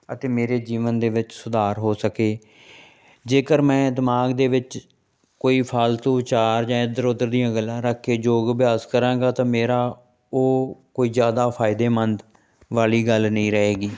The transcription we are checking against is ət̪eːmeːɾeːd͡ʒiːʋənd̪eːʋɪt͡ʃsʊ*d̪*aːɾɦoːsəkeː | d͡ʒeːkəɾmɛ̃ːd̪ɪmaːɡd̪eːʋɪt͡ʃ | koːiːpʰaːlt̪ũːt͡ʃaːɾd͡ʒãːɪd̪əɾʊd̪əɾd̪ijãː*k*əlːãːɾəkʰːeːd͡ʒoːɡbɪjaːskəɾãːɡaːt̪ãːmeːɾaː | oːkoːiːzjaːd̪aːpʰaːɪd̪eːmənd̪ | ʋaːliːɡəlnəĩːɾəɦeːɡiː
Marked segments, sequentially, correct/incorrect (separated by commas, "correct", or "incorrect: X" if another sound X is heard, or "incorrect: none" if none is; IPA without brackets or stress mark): correct, incorrect: ɡ